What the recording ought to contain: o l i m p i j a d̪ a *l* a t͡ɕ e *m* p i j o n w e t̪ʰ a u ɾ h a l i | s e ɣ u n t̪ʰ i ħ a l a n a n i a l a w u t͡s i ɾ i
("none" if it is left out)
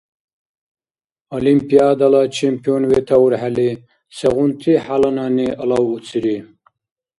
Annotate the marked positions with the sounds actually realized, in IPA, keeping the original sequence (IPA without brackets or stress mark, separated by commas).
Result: l, m